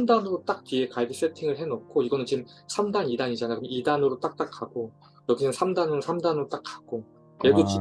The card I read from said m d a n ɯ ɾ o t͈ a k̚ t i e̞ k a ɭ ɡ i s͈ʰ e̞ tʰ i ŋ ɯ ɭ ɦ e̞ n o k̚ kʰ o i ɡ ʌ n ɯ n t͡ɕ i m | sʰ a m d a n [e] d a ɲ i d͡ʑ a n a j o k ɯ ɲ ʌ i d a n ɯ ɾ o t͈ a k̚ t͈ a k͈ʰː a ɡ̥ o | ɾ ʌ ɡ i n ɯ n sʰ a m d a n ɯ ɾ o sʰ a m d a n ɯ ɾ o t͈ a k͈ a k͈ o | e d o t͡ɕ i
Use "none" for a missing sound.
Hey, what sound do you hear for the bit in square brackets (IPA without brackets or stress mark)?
i